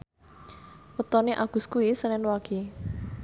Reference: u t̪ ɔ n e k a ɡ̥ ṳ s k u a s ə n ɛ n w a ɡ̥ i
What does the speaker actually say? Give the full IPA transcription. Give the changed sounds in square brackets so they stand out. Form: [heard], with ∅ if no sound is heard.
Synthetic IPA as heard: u t̪ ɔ n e [ʔ] a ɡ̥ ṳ s k u [i] s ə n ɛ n w a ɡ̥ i

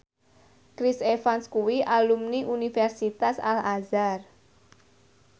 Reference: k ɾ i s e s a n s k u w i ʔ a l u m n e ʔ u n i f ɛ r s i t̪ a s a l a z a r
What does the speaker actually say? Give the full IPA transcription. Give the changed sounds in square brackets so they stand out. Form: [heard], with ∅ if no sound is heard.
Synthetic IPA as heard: k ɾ i s e [f] a n s k u w i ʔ a l u m n [i] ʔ u n i f ɛ r s i t̪ a s a l a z a r

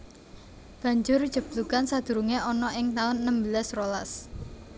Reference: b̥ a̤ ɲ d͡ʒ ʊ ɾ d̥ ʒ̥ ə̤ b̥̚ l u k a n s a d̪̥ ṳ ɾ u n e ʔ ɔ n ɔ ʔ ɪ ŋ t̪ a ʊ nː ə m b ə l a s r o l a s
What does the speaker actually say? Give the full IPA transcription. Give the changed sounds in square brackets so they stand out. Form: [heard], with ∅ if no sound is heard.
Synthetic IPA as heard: b̥ a̤ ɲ d͡ʒ ʊ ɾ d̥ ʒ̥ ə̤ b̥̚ l u k a n s a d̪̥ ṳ ɾ u [ŋ] e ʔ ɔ n ɔ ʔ ɪ ŋ t̪ a ʊ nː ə m b ə l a s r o l a s

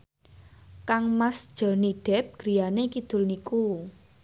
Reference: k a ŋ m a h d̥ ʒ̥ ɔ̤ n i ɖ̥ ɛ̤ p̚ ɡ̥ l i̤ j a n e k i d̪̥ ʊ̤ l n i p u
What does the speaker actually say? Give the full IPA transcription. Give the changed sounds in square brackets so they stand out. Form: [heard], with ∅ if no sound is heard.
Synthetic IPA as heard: k a ŋ m a [s] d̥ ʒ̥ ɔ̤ n i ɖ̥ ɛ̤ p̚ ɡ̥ [ɾ] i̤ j a n e k i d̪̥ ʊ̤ l n i [k] u

